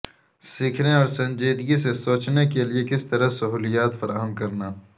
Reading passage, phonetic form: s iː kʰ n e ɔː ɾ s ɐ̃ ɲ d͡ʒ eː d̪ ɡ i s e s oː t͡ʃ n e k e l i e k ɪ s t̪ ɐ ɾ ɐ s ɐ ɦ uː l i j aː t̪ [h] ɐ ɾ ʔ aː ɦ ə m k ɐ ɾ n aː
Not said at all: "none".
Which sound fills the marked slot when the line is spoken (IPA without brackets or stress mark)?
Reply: f